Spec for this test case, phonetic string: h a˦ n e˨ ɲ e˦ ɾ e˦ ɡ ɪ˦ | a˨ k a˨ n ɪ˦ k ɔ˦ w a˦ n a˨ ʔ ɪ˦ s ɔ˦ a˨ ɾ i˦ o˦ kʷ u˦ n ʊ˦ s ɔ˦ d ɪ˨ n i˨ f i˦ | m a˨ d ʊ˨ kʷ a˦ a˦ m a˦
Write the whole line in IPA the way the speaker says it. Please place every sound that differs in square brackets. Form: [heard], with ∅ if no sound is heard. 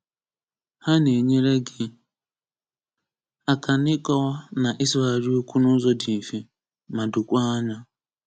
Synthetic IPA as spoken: h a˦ n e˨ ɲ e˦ ɾ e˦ ɡ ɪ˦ | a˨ k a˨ n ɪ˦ k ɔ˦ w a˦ n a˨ ʔ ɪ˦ s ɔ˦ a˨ ɾ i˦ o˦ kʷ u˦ n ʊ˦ [z] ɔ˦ d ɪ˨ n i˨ f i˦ | m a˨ d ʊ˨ kʷ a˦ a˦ [ɲ] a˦